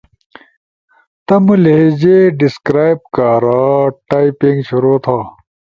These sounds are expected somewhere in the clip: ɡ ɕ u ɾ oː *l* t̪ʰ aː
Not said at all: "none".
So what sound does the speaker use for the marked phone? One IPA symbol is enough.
none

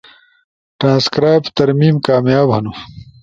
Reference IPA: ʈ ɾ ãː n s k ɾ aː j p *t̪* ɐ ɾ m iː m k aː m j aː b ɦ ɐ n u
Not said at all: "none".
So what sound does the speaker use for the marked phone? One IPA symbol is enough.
t̪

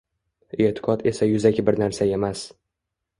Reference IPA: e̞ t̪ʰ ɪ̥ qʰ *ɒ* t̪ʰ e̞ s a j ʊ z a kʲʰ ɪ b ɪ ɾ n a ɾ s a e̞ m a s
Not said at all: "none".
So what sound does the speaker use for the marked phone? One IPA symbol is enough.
ɒ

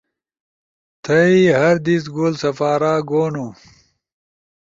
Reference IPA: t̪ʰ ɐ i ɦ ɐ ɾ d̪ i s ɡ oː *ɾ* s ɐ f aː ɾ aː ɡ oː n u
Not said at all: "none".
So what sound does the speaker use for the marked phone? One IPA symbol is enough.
l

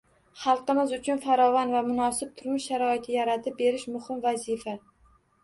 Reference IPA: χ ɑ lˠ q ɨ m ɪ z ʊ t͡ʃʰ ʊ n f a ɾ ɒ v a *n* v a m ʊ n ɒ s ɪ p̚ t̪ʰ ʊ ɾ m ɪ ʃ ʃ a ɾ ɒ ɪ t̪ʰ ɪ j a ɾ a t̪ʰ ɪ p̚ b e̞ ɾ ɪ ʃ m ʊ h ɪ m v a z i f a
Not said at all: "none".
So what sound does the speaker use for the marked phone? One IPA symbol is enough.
n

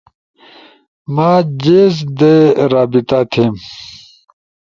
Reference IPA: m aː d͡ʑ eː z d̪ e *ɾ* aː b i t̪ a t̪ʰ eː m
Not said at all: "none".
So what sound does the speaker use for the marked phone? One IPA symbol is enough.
ɾ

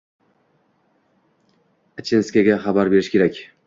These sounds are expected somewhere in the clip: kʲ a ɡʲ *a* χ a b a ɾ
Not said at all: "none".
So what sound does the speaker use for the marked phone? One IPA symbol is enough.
a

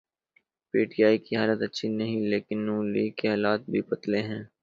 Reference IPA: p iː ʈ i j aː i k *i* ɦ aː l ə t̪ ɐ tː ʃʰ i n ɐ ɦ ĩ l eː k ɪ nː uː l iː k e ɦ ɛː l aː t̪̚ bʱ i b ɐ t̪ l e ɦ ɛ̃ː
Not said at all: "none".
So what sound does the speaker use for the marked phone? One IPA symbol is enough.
i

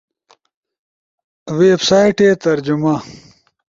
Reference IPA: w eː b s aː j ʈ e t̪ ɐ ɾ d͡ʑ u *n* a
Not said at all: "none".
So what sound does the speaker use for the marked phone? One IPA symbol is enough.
m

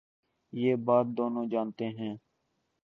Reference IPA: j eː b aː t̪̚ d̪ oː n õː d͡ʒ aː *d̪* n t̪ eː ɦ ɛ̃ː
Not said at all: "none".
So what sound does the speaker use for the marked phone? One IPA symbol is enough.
none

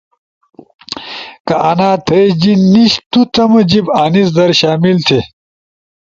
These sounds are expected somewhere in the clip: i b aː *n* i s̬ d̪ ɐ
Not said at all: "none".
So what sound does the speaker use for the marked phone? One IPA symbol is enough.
n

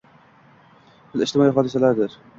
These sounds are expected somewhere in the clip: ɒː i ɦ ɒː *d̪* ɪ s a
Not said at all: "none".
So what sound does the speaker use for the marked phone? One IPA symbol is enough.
d̪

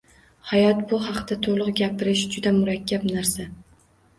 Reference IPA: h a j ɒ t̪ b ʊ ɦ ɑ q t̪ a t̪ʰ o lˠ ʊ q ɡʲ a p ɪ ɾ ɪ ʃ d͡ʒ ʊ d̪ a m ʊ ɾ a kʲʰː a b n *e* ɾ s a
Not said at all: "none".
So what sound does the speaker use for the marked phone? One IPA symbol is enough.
a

